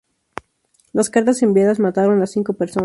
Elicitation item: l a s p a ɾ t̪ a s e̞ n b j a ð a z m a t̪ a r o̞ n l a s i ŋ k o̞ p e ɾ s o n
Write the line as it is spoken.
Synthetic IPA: l a s k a ɾ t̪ a s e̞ m b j a ð a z m a t̪ a ɾ o̞ n l a s i ŋ k o̞ p e ɾ s o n